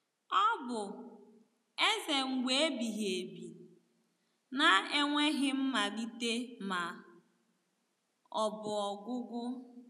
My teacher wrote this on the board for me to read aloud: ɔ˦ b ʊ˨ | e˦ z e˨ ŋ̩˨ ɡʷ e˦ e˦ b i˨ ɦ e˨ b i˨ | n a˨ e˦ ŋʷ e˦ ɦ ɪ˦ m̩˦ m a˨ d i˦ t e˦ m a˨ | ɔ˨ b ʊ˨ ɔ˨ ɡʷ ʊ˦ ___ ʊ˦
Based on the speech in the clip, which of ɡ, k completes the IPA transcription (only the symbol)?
ɡ